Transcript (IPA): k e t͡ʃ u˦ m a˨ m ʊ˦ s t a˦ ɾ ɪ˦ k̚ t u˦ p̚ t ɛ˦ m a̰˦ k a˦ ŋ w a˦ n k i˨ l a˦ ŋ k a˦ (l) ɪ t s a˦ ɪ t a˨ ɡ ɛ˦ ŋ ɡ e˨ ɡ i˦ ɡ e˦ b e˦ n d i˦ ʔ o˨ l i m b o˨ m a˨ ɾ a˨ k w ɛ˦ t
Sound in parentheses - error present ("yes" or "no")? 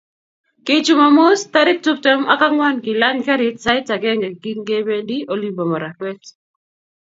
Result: yes